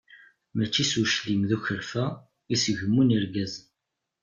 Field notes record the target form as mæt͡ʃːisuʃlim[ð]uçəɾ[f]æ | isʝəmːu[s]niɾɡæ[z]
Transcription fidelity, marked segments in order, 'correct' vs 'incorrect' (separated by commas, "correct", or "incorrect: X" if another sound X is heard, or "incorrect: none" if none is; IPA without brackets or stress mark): correct, correct, incorrect: none, correct